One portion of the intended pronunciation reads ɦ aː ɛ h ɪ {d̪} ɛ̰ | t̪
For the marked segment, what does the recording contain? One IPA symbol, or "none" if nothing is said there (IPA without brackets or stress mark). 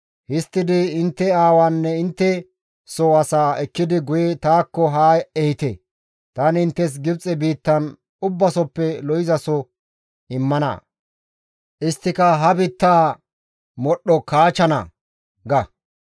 t̪